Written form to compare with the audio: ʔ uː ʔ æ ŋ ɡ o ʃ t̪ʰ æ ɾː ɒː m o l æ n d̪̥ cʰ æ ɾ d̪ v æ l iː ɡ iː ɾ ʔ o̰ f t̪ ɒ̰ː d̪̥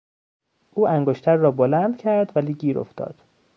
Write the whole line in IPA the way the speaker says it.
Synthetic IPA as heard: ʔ uː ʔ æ ŋ ɡ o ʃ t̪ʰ æ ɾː ɒː b o l æ n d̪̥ cʰ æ ɾ d̪ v æ l iː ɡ iː ɾ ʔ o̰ f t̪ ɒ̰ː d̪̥